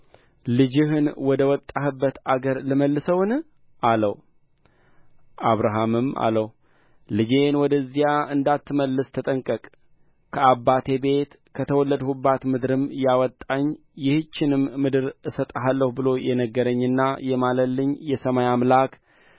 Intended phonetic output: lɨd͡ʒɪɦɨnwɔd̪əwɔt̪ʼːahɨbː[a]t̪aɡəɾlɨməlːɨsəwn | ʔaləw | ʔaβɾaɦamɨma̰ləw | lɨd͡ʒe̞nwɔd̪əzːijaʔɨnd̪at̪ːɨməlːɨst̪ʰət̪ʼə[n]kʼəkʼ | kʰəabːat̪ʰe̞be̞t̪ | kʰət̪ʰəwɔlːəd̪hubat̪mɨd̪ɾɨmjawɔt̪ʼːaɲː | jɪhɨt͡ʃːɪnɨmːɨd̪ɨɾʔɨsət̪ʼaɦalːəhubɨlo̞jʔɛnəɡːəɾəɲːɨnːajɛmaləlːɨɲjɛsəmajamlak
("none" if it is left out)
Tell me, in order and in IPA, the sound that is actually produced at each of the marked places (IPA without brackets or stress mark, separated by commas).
ə, ŋ